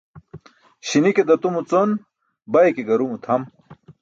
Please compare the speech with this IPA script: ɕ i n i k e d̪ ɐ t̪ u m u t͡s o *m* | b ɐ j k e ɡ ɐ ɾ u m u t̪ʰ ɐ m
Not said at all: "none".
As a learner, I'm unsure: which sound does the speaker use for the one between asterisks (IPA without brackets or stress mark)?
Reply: n